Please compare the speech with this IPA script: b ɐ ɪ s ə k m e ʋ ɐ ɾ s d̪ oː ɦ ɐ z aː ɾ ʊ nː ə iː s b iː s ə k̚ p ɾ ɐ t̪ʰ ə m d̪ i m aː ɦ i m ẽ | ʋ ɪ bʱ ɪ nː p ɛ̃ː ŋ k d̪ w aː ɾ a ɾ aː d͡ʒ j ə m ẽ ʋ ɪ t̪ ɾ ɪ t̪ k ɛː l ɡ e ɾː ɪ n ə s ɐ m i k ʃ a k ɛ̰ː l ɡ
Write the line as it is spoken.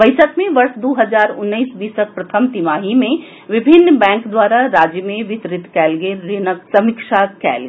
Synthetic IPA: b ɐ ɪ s ə k m ẽ ʋ ɐ ɾ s d̪ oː ɦ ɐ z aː ɾ ʊ nː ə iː s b iː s ə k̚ p ɾ ɐ t̪ʰ ə m t̪ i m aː ɦ i m ẽ | ʋ ɪ bʱ ɪ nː b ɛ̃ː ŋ k d̪ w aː ɾ a ɾ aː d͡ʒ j ə m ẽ ʋ ɪ t̪ ɾ ɪ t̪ k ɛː l ɡ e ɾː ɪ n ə s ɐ m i k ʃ a k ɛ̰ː l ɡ